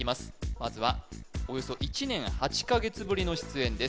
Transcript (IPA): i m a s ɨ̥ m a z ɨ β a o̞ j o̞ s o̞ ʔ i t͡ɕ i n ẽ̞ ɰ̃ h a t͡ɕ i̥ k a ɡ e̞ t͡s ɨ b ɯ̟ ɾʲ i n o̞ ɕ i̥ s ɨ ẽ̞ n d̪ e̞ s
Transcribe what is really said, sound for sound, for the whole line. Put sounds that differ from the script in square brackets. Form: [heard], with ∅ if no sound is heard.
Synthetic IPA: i m a s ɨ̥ m a z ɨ β a o̞ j o̞ s o̞ ʔ i t͡ɕ i n ẽ̞ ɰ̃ h a t͡ɕ i̥ k a ɡ e̞ t͡s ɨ b ɯ̟ ɾʲ i n o̞ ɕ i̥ [t͡s] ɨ ẽ̞ n d̪ e̞ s